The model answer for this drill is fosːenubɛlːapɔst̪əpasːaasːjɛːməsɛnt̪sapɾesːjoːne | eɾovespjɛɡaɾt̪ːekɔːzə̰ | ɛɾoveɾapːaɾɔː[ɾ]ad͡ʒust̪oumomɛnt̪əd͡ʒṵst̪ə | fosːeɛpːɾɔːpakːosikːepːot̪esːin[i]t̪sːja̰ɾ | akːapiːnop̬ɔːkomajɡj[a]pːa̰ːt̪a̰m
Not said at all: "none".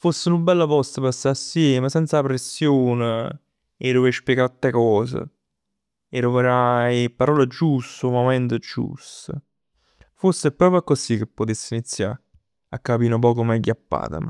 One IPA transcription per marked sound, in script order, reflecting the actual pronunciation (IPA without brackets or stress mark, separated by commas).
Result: l, i, a